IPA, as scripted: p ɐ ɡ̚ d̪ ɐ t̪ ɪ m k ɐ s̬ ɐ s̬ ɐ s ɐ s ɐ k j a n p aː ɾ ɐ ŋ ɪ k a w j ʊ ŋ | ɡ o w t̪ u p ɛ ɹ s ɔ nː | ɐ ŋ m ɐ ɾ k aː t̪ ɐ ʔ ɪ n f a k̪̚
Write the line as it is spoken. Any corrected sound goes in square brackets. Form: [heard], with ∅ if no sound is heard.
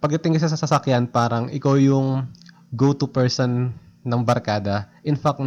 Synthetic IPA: p ɐ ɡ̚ d̪ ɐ t̪ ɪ [ŋ] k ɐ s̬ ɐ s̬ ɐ s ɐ s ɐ k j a n p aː ɾ ɐ ŋ ɪ k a w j ʊ ŋ | ɡ o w t̪ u p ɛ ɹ s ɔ nː | ɐ ŋ [b] ɐ ɾ k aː [d̪] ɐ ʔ ɪ n f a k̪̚